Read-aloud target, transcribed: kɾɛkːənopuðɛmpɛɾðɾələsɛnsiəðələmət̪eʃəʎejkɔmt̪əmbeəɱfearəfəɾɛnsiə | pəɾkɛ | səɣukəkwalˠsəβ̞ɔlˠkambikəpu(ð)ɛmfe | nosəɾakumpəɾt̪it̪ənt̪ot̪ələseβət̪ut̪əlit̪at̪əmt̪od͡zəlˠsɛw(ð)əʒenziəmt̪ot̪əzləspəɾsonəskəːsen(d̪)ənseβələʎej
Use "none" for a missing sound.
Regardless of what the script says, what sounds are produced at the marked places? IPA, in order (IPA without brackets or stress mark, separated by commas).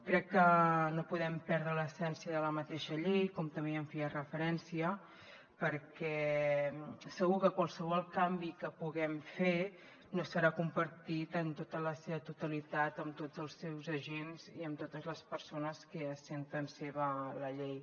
ɣ, z, t̪